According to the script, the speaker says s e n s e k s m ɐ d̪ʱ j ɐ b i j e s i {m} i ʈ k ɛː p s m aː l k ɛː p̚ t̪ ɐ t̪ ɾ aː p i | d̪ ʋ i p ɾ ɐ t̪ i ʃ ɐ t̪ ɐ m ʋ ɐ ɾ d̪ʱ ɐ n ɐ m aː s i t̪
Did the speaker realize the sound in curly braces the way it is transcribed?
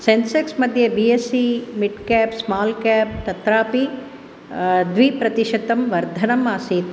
yes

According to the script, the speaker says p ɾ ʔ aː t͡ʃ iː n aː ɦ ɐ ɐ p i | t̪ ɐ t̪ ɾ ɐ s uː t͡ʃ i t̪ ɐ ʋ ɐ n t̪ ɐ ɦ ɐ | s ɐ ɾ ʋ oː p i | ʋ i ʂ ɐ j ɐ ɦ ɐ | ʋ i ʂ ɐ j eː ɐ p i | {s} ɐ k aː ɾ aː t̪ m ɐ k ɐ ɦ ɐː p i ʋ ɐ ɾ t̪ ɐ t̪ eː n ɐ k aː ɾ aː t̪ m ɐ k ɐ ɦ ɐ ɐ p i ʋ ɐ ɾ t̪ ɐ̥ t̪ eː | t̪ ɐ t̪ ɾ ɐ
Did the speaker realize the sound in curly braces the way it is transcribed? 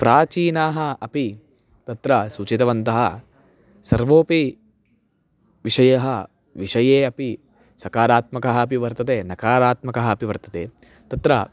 yes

